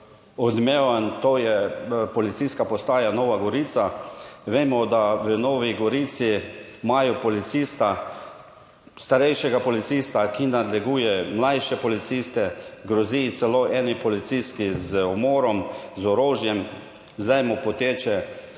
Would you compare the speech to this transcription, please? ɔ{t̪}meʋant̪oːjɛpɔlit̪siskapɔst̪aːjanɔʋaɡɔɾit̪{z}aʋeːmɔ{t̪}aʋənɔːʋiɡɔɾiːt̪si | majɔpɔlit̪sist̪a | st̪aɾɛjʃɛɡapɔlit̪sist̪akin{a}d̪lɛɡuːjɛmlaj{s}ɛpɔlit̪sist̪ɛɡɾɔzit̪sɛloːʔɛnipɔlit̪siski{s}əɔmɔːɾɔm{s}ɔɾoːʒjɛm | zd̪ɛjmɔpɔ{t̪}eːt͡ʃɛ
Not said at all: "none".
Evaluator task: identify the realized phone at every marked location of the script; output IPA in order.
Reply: d̪, s, d̪, a, ʃ, z, z, t̪

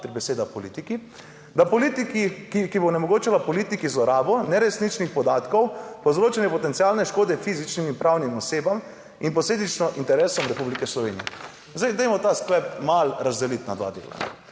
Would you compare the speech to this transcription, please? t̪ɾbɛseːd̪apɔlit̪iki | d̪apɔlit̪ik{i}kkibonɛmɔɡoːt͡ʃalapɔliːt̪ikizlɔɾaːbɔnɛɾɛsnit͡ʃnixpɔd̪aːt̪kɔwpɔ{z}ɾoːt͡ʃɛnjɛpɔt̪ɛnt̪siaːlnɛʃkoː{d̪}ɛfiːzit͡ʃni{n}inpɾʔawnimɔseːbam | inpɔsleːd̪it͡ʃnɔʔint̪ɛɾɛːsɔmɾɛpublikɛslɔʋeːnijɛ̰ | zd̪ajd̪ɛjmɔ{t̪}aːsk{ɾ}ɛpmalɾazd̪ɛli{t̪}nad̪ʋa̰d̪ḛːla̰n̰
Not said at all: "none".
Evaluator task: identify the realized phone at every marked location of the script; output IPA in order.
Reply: i, z, d̪, m, t̪, l, t̪

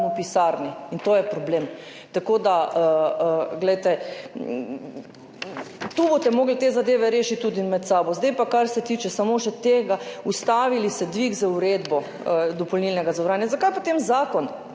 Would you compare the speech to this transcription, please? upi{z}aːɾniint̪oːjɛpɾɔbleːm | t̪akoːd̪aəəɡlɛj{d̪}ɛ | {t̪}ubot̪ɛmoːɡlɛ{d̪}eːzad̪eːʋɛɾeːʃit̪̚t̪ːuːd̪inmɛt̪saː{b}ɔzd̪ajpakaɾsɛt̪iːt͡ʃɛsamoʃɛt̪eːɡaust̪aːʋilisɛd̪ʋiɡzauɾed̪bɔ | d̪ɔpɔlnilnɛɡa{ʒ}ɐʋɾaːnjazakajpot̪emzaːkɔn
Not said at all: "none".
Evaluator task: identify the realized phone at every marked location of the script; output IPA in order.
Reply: s, t̪, t̪, t̪, b, z

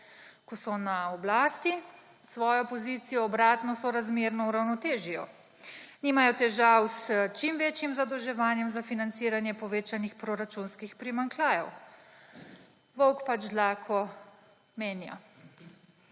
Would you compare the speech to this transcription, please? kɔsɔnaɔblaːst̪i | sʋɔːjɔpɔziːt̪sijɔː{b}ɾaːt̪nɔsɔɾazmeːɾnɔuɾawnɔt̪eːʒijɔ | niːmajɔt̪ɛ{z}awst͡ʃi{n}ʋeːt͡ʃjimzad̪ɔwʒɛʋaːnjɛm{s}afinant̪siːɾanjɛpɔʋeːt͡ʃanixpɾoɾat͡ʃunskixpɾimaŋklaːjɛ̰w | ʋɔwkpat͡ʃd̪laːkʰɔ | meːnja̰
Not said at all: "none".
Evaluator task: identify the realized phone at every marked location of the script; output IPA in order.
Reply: b, ʒ, m, z

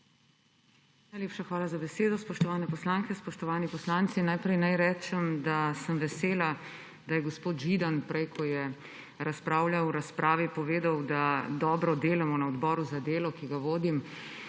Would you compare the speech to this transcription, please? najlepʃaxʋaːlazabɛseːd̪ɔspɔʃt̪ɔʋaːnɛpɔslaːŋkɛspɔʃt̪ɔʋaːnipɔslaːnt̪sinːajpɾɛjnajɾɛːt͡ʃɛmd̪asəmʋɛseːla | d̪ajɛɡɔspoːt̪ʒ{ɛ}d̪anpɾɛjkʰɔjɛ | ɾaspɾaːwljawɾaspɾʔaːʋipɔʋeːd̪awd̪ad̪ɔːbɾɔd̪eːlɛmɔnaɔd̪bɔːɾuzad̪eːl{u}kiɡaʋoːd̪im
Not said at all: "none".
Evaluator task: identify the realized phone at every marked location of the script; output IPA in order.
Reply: i, ɔ

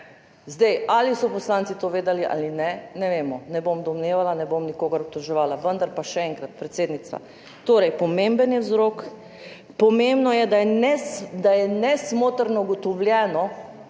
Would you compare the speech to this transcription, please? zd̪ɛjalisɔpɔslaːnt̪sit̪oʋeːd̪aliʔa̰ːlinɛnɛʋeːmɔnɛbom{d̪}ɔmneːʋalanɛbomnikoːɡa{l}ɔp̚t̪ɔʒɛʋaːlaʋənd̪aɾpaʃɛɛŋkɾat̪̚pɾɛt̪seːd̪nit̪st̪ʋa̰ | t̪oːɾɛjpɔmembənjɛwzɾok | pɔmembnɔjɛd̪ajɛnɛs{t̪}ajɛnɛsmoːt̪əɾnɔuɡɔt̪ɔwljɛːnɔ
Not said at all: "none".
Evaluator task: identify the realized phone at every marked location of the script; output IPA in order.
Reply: d̪, ɾ, d̪

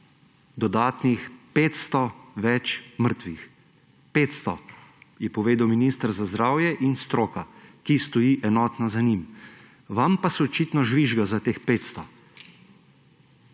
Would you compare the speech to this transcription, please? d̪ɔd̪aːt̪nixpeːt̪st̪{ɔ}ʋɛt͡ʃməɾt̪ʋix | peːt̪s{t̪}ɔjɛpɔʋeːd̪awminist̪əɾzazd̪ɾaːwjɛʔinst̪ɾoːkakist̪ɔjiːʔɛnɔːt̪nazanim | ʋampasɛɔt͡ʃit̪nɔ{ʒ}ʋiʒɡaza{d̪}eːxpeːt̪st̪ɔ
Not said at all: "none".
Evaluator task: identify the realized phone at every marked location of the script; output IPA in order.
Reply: ɔ, t̪, ʒ, t̪

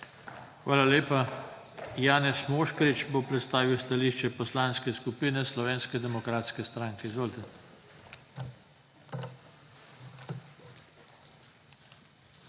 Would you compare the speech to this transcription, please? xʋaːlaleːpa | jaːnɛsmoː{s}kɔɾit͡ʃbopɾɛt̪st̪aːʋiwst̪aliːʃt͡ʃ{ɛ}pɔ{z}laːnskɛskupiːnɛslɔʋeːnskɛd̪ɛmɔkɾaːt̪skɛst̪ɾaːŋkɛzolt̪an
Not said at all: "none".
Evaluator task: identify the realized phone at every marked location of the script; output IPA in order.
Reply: ʃ, ɛ, s

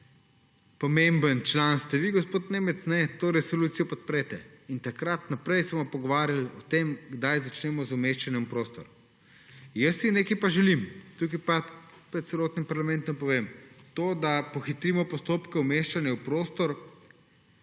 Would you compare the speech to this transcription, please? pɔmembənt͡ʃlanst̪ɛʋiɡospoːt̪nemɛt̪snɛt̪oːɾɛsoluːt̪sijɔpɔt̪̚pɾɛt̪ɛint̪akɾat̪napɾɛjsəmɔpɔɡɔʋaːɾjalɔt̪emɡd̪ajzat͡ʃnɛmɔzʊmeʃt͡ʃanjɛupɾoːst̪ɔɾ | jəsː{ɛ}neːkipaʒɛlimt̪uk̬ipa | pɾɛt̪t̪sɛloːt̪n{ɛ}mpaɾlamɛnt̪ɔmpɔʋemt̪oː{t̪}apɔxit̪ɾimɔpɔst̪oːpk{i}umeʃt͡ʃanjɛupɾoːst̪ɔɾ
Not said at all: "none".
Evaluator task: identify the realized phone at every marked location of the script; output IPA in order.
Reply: i, i, d̪, ɛ

